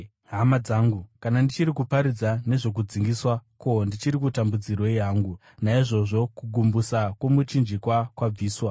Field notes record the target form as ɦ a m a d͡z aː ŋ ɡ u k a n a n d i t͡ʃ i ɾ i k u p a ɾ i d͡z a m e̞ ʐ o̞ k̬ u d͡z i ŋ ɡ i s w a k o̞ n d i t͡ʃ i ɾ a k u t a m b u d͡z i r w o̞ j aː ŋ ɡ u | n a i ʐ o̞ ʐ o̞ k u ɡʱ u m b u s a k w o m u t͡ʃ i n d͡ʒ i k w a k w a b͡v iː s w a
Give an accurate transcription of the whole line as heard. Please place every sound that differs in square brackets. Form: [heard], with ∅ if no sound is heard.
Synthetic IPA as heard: ɦ a m a d͡z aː ŋ ɡ u k a n a n d i t͡ʃ i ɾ i k u p a ɾ i d͡z a [n] e̞ ʐ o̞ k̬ u d͡z i ŋ ɡ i s w a k o̞ n d i t͡ʃ i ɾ [i] k u t a m b u d͡z i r w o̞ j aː ŋ ɡ u | n a i ʐ o̞ ʐ o̞ k u ɡʱ u m b u s a k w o m u t͡ʃ i n d͡ʒ i k w a k w a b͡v iː s w a